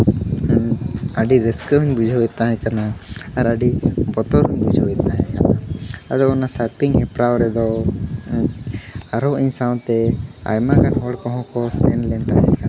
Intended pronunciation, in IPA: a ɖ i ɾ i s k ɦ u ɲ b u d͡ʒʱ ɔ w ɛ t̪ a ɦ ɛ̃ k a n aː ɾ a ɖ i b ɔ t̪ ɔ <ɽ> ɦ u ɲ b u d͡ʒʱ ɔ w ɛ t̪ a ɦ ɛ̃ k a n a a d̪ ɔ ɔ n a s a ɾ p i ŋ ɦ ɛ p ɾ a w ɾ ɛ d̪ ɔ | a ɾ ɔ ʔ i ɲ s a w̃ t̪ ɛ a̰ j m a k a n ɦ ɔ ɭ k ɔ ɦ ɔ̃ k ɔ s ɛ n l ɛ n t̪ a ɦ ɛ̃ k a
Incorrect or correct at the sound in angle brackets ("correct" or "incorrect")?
incorrect